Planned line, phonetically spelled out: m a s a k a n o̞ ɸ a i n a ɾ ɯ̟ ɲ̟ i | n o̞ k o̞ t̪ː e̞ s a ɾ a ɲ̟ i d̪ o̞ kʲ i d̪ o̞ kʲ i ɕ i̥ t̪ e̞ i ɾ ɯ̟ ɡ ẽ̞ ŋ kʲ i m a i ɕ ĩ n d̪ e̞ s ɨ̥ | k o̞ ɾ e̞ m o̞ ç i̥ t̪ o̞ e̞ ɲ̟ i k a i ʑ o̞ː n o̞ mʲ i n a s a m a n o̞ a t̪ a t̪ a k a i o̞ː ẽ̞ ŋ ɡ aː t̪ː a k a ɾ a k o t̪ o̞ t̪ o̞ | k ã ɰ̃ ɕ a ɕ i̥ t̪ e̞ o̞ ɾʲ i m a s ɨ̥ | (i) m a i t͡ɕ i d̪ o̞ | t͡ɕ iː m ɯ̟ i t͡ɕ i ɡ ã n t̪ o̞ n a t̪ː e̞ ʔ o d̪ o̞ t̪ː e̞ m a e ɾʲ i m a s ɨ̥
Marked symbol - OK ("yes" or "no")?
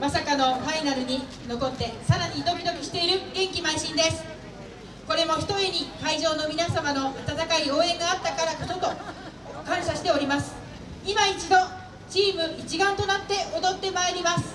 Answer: yes